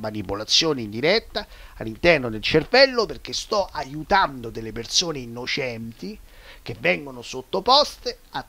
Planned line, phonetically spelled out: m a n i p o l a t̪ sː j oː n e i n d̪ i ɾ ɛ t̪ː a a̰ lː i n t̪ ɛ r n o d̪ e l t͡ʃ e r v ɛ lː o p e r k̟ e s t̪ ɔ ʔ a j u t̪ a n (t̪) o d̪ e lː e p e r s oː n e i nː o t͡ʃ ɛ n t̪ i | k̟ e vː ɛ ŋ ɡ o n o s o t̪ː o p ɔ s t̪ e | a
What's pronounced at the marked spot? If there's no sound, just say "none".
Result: d̪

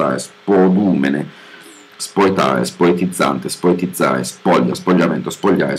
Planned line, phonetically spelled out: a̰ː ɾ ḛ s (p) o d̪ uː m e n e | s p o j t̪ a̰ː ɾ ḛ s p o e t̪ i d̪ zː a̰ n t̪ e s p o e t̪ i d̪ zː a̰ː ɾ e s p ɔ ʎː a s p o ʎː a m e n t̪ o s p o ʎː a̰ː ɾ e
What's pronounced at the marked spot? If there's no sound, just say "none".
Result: p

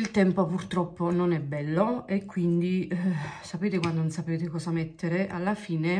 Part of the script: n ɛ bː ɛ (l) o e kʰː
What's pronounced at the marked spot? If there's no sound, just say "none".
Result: lː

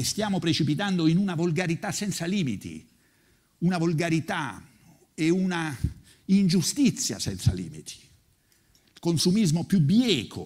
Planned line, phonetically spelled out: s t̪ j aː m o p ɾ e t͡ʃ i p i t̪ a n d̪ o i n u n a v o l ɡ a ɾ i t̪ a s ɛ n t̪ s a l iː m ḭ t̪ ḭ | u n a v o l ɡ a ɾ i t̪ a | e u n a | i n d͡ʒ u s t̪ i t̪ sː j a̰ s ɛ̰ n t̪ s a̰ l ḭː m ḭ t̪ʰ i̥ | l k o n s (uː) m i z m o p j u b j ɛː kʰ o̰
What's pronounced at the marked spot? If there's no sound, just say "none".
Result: u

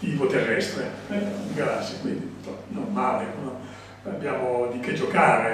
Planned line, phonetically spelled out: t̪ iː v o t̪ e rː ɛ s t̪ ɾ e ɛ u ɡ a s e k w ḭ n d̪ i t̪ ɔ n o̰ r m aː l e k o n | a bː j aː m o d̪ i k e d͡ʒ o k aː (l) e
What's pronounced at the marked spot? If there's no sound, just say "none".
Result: ɾ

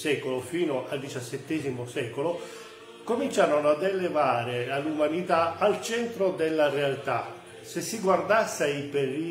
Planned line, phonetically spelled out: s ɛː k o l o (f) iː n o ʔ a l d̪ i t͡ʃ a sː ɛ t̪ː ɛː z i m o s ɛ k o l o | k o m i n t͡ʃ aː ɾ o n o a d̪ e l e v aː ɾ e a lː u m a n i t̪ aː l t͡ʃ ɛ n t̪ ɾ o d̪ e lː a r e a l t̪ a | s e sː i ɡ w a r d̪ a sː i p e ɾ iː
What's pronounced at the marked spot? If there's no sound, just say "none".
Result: f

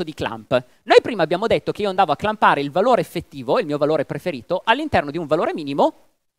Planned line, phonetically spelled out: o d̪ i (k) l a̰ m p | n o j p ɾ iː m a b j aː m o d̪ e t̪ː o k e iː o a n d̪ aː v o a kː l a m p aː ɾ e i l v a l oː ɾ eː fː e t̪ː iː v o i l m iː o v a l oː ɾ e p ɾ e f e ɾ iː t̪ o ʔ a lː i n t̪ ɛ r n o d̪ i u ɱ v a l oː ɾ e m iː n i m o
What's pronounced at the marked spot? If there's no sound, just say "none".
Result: k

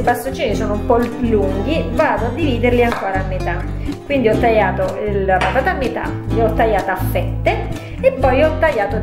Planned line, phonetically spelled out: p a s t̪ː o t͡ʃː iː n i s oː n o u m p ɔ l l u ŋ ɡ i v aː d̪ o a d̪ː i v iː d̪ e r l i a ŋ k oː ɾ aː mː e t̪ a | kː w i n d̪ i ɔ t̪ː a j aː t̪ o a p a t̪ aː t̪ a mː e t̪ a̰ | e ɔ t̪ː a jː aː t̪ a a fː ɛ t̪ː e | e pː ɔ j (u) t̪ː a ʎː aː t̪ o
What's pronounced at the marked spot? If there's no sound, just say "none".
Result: ɔ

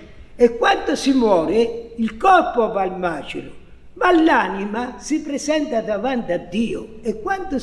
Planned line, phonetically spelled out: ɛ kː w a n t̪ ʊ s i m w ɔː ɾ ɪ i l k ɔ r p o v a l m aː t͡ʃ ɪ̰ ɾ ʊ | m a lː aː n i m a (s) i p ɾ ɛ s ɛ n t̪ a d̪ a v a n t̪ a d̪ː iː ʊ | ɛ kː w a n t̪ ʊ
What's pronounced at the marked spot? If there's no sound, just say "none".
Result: s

